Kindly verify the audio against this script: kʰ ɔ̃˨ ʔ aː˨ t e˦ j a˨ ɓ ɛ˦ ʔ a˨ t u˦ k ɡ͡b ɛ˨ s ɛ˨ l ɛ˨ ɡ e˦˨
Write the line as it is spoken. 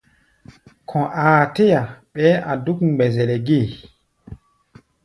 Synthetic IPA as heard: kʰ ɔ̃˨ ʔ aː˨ t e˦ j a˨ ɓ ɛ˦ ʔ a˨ d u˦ k ɡ͡b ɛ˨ z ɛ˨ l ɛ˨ ɡ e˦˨